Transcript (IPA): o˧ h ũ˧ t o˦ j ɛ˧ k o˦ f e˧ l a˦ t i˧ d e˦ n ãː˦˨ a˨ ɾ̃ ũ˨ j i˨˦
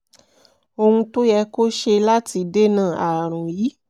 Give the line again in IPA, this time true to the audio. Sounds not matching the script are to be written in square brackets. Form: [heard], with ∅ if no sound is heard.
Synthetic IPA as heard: o˧ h ũ˧ t o˦ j ɛ˧ k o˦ [ʃ] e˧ l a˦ t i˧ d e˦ n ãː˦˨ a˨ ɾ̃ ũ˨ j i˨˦